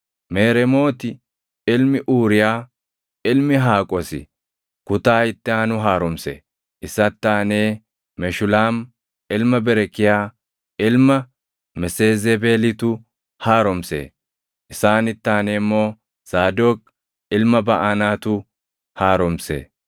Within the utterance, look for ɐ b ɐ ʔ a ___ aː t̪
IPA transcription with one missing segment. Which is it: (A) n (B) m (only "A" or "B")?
A